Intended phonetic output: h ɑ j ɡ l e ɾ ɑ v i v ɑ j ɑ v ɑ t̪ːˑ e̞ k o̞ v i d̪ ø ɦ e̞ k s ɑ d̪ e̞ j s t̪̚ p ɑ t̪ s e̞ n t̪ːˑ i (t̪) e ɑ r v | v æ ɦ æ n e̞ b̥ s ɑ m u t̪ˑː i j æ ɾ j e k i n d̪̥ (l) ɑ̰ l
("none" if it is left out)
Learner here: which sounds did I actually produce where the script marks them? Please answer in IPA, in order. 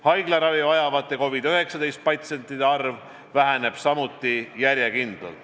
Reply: d̪, l

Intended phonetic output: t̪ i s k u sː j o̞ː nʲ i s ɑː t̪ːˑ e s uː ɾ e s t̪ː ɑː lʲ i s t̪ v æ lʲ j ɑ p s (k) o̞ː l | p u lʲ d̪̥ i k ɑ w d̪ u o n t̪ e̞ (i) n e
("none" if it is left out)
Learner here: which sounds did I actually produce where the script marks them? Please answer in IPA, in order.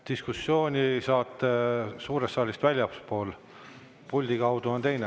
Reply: p, j

